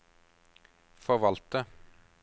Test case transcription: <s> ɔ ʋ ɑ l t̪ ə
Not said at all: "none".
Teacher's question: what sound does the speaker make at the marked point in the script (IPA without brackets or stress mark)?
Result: f